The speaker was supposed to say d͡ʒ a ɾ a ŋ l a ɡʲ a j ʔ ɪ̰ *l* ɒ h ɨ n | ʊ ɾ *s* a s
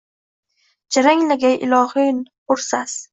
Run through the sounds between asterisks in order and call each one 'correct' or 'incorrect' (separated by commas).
correct, correct